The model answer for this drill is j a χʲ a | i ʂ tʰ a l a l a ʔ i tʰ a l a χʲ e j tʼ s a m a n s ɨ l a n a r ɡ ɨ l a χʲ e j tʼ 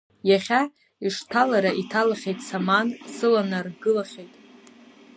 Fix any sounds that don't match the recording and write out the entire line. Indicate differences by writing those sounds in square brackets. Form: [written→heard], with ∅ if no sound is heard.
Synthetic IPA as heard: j a χʲ a | i ʂ tʰ a l a [l→ɾ] a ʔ i tʰ a l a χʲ e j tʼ s a m a n s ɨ l a n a r ɡ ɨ l a χʲ e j tʼ